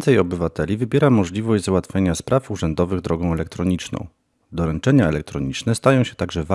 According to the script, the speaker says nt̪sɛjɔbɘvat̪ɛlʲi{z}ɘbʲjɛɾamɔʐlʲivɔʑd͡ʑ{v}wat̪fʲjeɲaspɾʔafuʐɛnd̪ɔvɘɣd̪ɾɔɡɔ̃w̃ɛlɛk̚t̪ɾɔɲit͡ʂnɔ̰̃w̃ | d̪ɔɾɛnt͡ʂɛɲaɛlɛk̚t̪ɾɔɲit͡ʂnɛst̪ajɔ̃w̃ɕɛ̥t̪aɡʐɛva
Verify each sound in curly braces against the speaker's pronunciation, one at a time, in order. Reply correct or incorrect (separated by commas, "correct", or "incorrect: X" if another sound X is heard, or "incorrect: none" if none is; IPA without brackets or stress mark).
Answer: incorrect: v, incorrect: z